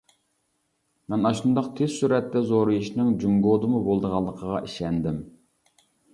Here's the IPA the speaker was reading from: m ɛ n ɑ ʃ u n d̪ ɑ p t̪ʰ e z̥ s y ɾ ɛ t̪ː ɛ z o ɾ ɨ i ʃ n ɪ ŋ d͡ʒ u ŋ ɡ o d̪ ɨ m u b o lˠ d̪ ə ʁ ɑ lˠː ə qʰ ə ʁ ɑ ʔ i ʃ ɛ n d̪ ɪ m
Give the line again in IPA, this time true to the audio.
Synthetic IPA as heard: m ɛ n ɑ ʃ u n d̪ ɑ q t̪ʰ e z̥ s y ɾ ɛ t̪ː ɛ z o ɾ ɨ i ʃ n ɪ ŋ d͡ʒ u ŋ ɡ o d̪ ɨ m u b o lˠ d̪ ə ʁ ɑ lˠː ə qʰ ə ʁ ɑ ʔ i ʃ ɛ n d̪ ɪ m

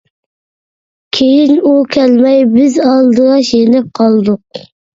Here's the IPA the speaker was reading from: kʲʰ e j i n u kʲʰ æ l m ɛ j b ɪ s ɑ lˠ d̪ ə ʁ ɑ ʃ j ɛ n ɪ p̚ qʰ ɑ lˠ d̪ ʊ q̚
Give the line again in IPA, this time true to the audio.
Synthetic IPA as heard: kʲʰ e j i n u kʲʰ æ l m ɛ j b ɪ z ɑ lˠ d̪ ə ʁ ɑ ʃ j e n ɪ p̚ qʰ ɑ lˠ d̪ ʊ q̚

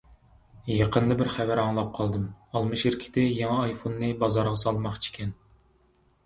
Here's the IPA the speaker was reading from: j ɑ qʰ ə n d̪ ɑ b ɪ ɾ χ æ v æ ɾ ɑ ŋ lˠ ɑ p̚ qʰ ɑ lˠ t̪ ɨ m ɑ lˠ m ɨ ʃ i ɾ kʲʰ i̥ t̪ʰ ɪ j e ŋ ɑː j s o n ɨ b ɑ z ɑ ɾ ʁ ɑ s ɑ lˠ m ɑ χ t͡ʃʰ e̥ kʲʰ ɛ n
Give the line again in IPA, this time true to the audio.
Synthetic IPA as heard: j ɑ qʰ ə n d̪ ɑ b ɪ ɾ χ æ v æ ɾ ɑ ŋ lˠ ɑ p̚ qʰ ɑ lˠ d̪ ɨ m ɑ lˠ m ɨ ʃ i ɾ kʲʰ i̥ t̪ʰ ɪ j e ŋ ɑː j f o nː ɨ b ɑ z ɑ ɾ ʁ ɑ s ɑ lˠ m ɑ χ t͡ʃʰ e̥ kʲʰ ɛ n

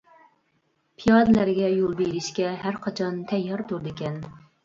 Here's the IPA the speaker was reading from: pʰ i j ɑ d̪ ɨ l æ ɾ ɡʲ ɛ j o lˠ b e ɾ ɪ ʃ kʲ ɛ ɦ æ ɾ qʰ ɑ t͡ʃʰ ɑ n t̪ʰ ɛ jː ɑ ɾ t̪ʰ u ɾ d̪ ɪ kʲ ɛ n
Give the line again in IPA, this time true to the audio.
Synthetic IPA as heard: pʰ i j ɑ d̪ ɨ l æ ɾ ɡʲ ɛ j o lˠ b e ɾ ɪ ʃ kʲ ɛ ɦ æ ɾ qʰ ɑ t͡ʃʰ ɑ n t̪ʰ ɛ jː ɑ ɾ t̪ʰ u ɾ d̪ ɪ kʲ ɛ n

